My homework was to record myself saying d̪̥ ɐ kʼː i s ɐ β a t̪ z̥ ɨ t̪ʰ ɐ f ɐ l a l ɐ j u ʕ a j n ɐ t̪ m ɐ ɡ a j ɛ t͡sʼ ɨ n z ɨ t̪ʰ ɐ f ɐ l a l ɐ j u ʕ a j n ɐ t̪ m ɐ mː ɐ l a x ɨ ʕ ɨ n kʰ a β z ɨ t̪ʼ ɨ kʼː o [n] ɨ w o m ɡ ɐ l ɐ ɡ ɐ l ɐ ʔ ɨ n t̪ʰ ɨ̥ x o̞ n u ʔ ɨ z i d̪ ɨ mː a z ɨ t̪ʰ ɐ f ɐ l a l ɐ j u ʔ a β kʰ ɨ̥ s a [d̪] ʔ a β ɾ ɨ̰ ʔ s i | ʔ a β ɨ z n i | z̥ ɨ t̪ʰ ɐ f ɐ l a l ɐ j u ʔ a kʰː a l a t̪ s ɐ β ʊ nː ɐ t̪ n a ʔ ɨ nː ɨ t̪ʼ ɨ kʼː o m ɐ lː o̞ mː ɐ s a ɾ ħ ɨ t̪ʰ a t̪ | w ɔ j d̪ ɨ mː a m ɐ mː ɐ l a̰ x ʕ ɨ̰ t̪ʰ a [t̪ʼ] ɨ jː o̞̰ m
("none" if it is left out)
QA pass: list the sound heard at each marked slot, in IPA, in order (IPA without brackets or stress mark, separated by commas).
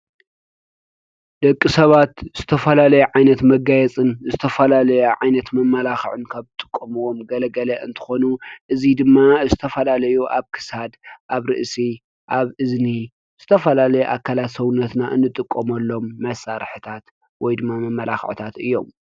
m, d̪, t̪